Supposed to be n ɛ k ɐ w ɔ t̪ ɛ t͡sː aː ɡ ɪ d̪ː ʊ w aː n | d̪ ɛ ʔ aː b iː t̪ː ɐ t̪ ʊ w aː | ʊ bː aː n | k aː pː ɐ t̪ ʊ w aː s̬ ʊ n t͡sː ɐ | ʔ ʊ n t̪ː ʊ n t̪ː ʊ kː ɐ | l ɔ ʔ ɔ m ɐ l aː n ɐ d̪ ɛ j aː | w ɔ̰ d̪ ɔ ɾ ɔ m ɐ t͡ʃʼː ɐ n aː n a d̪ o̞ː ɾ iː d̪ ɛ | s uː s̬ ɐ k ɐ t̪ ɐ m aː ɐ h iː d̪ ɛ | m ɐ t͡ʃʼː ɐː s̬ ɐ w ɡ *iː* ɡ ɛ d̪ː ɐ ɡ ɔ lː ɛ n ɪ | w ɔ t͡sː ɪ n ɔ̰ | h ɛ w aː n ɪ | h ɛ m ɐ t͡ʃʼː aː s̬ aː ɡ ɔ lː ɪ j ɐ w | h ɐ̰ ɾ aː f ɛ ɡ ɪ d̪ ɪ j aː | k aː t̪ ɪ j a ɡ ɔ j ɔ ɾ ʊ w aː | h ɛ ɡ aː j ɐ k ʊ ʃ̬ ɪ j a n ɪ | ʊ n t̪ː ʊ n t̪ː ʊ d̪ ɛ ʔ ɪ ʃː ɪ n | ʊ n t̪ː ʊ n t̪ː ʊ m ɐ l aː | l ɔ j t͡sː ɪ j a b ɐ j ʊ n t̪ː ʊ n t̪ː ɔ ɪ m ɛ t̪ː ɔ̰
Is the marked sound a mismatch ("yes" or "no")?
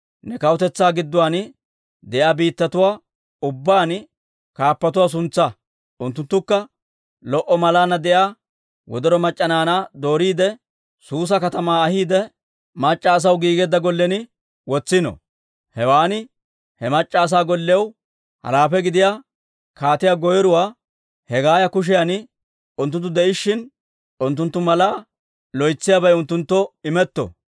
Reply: no